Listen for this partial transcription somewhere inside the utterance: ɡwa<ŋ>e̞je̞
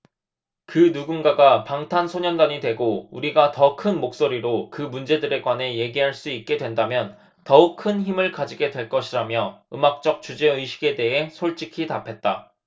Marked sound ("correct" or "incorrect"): incorrect